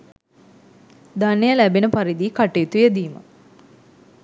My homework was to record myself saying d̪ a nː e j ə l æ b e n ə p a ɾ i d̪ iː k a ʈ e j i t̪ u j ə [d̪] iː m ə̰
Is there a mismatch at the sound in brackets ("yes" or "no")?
no